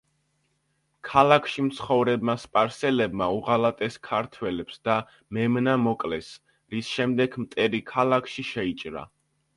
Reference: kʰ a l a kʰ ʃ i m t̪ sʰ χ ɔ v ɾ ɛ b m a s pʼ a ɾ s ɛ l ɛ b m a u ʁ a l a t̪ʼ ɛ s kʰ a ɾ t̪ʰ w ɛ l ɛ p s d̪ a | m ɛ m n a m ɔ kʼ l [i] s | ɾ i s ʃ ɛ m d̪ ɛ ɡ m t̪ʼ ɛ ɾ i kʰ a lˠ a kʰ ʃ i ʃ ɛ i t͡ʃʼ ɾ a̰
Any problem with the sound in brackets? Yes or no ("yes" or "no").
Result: yes